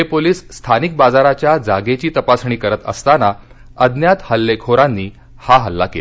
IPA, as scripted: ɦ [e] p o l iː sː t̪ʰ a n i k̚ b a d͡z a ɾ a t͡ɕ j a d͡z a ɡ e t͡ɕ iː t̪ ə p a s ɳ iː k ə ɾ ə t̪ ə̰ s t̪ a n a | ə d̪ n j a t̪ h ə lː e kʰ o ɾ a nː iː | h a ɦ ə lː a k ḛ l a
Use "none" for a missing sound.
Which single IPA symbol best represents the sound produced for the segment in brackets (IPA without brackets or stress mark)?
e